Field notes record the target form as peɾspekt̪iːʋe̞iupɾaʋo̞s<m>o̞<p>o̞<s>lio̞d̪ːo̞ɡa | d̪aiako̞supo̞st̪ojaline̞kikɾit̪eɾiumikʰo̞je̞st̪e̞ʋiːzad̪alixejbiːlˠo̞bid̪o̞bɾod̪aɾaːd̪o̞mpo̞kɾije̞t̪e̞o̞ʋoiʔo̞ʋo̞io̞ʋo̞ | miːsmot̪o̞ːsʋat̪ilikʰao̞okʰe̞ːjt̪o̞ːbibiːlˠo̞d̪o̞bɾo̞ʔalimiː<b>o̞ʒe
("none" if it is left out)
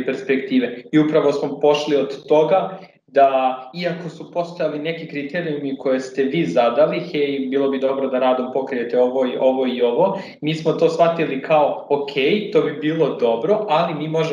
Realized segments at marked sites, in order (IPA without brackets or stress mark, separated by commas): m, p, ʃ, m